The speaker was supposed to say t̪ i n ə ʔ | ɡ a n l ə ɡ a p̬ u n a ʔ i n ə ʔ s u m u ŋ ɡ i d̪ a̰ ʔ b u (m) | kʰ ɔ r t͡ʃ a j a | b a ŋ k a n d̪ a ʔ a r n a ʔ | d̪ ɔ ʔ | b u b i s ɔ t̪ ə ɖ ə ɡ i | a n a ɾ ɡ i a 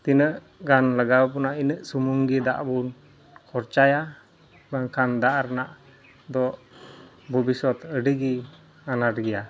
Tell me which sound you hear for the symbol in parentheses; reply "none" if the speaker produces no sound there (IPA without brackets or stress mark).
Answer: n